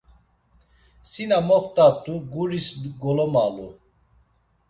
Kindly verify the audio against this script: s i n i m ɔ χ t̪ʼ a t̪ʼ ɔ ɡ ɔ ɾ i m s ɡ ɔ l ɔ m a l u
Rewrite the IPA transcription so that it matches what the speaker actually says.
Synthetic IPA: s i n a m ɔ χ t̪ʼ a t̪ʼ u ɡ u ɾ i s ɡ ɔ l ɔ m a l u

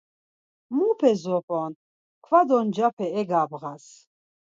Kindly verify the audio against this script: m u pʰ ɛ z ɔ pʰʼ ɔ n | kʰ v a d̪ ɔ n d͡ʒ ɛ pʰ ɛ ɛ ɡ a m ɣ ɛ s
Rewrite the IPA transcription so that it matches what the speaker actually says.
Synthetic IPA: m u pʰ ɛ z ɔ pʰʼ ɔ n | kʰ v a d̪ ɔ n d͡ʒ a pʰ ɛ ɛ ɡ a b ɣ a s

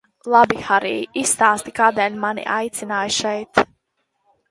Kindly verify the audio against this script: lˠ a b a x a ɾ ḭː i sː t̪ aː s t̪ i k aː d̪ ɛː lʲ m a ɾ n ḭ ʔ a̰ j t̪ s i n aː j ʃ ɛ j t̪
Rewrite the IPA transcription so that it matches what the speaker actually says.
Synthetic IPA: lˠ a b i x a ɾ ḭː i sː t̪ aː s t̪ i k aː d̪ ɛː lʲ m a n ḭ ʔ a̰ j t̪ s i n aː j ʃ ɛ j t̪

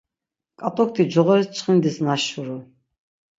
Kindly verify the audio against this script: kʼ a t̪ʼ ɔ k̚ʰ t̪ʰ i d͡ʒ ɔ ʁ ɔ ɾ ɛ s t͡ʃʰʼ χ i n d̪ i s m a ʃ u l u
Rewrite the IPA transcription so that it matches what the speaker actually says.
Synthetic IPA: kʼ a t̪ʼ ɔ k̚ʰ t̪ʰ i d͡ʒ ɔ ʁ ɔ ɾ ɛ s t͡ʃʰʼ χ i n d̪ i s n a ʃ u ɾ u

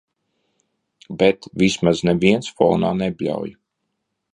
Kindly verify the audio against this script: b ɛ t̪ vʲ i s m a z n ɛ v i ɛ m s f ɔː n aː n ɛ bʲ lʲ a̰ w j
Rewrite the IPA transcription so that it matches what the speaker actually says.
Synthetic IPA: b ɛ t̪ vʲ i s m a z n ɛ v i ɛ n s f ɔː n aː n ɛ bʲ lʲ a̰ w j

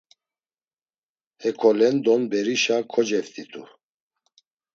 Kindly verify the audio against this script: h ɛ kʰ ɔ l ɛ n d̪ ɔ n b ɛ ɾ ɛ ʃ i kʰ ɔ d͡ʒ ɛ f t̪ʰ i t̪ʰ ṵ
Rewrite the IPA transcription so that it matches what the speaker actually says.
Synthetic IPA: h ɛ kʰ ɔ l ɛ n d̪ ɔ n b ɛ ɾ i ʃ a kʰ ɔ d͡ʒ ɛ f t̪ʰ i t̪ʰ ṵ

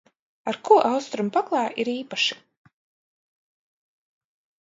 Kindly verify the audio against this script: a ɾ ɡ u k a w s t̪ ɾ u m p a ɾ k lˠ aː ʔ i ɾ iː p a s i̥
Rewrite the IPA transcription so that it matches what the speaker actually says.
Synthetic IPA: a ɾ k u ʔ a w s t̪ ɾ u m p a k lˠ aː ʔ i ɾ iː p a ʃ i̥

